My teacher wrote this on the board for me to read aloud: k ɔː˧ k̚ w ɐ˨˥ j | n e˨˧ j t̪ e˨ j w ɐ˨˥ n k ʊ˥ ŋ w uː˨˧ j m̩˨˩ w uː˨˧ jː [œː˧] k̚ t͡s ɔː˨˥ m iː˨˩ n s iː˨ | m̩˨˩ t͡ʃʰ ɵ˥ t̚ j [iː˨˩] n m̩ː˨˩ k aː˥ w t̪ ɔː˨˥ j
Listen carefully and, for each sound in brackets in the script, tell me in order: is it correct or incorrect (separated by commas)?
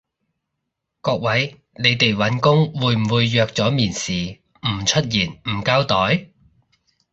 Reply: correct, correct